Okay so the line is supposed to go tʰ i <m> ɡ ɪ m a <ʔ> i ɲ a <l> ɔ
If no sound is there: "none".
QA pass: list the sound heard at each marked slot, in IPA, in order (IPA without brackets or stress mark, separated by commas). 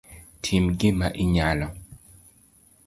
m, ʔ, l